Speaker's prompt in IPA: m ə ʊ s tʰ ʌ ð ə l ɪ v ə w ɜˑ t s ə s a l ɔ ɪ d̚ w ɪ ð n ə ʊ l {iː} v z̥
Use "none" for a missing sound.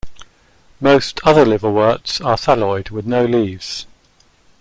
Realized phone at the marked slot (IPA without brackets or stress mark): iː